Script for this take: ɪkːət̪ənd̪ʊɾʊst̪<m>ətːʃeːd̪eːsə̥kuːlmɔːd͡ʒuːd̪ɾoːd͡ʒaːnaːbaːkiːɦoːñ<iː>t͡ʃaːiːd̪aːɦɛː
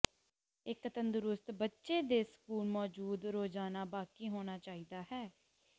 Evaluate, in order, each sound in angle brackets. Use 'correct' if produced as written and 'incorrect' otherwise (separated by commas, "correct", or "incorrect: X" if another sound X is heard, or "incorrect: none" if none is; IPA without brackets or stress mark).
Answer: incorrect: b, incorrect: aː